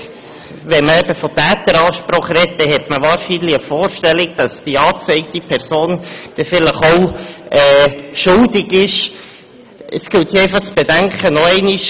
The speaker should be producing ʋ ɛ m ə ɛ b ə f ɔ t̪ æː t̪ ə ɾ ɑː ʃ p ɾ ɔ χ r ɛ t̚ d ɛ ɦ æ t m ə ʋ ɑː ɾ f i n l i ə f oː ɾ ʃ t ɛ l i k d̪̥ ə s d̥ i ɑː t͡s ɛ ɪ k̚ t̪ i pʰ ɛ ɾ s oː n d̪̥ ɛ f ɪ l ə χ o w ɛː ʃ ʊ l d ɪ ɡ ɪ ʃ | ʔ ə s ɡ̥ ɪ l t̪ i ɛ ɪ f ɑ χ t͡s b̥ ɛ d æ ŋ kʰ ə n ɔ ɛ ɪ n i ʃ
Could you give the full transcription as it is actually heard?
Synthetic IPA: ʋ ɛ m ə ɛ b ə f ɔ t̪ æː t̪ ə ɾ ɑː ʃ p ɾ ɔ χ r ɛ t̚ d ɛ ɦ ɛ t m ə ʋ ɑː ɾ ʃ i n l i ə f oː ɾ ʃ t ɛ l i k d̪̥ ɑ s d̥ i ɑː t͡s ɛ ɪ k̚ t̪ i pʰ ɛ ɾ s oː n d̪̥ ɛ f ɪ l ə χ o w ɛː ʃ ʊ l d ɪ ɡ ɪ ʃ | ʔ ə s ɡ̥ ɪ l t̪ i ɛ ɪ f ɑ χ t͡s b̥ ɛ d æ ŋ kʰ ə n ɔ ɛ ɪ n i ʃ